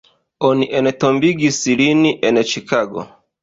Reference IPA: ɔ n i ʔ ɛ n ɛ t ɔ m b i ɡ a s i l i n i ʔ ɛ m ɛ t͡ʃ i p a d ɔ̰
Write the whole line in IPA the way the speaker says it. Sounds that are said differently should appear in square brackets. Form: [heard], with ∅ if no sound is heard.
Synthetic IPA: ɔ n i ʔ ɛ n ɛ t ɔ m b i ɡ [i] s i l i n i ʔ ɛ [n] ɛ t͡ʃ i [k] a [ɡ] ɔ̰